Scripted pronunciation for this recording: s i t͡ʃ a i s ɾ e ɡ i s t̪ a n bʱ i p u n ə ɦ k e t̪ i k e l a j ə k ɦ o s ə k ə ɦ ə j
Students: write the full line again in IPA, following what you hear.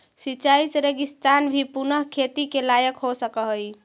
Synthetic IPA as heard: s i t͡ʃ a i s ɾ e ɡ i s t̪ a n bʱ i p u n ə ɦ kʰ e t̪ i k e l a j ə k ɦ o s ə k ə ɦ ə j